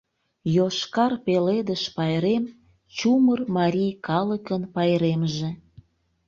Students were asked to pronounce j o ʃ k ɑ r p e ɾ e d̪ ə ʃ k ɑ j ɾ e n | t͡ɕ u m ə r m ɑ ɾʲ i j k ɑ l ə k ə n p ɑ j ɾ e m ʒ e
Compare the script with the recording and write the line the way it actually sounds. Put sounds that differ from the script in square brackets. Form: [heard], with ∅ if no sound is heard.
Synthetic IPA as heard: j o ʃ k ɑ r p e [l] e d̪ ə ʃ [p] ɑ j ɾ e [m] | t͡ɕ u m ə r m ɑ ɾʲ i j k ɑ l ə k ə n p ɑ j ɾ e m ʒ e